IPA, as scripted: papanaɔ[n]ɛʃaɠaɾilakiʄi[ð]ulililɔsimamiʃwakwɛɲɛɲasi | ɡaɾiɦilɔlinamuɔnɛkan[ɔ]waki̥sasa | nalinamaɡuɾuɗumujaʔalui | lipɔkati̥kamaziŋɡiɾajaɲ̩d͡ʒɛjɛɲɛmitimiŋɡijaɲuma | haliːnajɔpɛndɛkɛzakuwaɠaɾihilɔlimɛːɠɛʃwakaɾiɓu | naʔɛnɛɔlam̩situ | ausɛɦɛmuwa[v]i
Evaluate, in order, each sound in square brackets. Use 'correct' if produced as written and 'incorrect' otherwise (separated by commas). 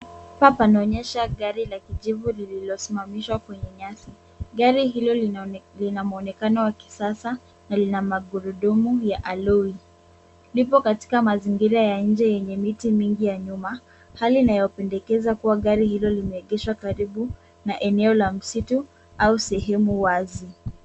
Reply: incorrect, incorrect, correct, incorrect